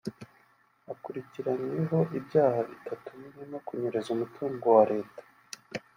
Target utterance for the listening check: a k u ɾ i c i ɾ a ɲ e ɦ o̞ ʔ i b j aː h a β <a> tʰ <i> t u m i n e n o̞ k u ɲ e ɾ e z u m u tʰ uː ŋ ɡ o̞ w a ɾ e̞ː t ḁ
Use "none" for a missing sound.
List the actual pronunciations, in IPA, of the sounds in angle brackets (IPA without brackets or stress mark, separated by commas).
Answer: i, a